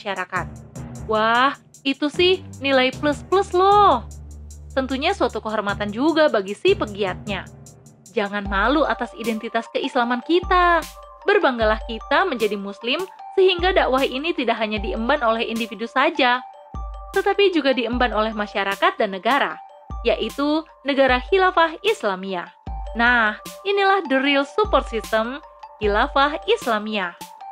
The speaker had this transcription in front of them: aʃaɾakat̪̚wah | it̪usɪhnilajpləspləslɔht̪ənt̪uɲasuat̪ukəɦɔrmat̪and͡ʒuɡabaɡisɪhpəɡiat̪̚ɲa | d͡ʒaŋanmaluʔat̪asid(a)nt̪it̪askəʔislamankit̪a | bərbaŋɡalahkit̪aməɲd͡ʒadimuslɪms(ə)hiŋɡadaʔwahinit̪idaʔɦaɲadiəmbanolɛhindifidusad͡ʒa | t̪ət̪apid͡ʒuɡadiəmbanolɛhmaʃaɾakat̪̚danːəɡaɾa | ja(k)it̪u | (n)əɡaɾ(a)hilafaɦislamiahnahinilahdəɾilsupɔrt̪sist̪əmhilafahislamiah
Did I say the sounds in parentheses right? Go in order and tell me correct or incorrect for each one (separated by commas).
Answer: incorrect, correct, incorrect, correct, correct